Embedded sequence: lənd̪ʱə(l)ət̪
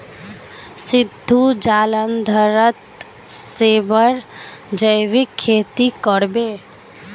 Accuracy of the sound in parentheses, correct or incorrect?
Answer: incorrect: ɾ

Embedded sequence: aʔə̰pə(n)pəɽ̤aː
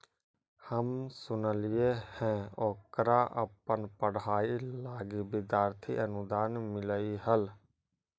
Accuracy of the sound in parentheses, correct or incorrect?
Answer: correct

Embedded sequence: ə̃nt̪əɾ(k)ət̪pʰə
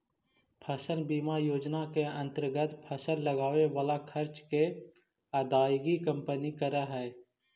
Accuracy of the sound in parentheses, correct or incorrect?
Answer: incorrect: ɡ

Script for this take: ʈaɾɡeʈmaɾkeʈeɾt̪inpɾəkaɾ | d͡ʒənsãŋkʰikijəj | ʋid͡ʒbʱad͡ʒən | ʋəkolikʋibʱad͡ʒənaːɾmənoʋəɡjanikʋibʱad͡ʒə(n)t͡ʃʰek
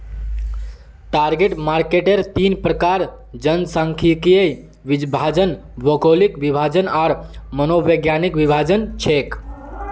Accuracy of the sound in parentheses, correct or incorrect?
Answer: correct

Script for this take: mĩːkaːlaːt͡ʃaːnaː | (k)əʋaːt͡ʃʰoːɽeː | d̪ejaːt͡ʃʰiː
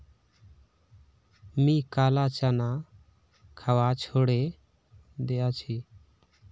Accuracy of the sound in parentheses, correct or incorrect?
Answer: incorrect: kʰ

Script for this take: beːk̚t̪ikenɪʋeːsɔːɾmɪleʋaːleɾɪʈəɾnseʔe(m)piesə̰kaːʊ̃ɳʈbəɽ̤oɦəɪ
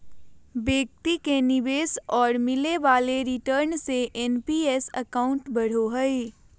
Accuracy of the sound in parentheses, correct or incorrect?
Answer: incorrect: n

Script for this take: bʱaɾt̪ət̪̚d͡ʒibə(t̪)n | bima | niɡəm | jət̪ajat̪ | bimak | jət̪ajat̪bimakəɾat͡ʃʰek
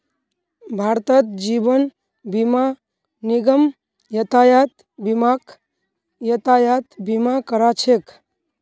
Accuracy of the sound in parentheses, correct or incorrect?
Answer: incorrect: none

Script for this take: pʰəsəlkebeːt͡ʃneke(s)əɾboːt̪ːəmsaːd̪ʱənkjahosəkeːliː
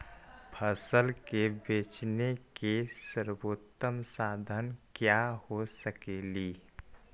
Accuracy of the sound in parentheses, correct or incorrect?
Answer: correct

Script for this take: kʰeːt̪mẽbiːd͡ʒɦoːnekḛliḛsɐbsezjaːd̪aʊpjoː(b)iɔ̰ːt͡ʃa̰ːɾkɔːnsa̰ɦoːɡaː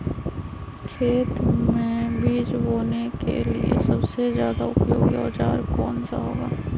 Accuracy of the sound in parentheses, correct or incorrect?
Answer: incorrect: ɡ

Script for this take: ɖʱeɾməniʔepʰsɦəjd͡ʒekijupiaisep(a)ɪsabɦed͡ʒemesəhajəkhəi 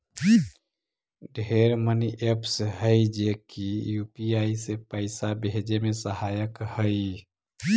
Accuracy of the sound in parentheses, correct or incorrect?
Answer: incorrect: ə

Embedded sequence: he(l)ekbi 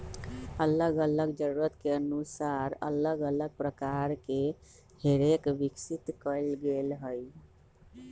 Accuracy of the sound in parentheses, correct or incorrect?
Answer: incorrect: ɾ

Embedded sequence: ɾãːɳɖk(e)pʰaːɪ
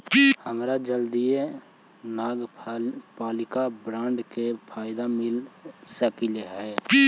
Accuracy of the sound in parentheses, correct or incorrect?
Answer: correct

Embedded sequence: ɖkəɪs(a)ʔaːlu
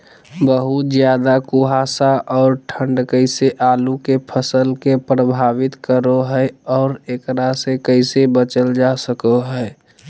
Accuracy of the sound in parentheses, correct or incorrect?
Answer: incorrect: e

